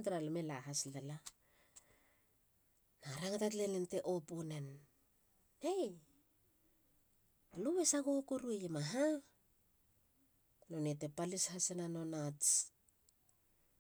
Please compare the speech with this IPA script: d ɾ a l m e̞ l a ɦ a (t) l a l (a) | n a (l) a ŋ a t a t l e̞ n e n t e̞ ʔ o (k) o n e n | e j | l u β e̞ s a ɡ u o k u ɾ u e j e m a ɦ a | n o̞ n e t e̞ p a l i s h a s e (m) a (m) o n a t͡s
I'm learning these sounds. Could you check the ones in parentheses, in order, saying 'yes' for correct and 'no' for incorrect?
no, yes, no, no, no, no

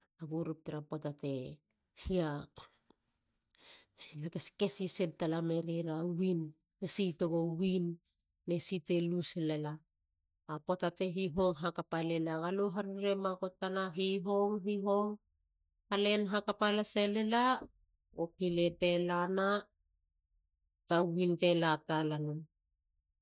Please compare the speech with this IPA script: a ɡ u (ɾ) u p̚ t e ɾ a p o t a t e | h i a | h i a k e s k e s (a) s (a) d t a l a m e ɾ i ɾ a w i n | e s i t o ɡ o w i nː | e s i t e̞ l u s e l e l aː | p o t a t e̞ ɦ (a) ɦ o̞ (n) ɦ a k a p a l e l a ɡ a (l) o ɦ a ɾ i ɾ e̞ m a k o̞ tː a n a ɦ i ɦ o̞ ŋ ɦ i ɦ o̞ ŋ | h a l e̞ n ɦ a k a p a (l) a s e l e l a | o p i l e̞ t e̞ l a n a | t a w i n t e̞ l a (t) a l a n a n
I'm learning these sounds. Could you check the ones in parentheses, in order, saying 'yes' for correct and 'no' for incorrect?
yes, no, no, no, no, yes, yes, yes

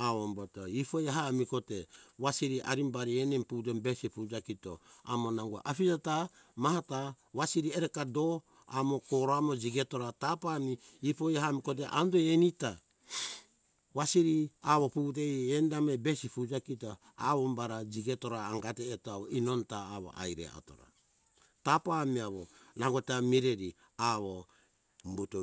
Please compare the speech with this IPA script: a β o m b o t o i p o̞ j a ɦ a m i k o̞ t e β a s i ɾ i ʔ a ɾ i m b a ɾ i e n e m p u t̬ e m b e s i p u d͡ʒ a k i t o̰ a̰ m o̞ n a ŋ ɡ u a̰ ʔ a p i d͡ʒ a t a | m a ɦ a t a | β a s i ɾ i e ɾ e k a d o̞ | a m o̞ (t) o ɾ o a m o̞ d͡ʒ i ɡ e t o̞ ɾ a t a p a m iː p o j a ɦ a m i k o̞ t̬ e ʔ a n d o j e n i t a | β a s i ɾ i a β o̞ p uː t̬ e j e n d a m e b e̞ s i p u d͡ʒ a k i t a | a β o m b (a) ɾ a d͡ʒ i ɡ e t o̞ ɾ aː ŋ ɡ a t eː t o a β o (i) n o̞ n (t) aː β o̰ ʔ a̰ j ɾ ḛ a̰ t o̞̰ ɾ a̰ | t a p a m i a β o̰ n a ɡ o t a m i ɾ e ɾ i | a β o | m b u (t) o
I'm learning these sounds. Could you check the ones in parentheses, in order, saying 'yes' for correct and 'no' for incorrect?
no, yes, yes, yes, yes

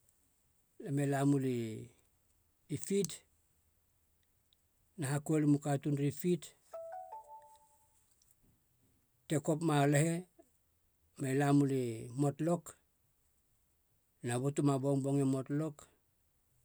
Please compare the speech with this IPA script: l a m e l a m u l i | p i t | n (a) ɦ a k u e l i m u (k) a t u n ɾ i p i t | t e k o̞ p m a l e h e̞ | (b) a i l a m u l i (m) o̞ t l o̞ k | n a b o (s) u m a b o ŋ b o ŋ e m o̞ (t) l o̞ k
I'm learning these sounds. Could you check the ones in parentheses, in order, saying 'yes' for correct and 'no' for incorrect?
yes, yes, no, yes, no, yes

